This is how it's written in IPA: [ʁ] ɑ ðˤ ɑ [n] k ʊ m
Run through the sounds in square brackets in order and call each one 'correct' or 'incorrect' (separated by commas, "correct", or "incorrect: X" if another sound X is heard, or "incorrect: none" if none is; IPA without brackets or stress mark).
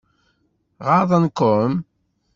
correct, correct